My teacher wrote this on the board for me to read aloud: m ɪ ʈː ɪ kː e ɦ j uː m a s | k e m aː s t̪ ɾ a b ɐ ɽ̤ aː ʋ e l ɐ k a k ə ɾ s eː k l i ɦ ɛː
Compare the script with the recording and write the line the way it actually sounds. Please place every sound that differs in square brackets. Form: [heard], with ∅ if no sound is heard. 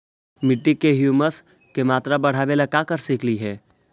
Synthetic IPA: m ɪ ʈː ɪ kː e ɦ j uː m [ə] s | k e m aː [∅] t̪ ɾ a b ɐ ɽ̤ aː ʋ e l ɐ k a k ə ɾ s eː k l i ɦ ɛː